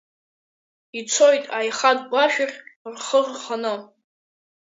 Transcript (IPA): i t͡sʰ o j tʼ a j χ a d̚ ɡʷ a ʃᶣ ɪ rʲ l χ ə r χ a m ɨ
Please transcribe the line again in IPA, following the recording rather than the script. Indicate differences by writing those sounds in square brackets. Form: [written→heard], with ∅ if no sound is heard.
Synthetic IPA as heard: i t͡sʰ o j tʼ a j χ a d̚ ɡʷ a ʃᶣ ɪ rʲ [l→r] χ ə r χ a [m→n] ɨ